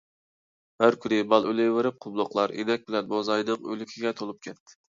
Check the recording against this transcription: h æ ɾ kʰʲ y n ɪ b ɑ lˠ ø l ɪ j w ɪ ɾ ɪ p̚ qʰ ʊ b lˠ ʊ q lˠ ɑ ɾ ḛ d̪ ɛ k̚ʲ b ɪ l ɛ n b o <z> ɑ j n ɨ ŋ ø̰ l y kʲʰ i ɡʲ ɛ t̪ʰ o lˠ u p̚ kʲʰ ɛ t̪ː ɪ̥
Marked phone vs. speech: correct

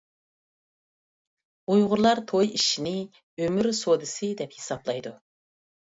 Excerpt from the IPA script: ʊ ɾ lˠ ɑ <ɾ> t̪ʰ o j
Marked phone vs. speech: correct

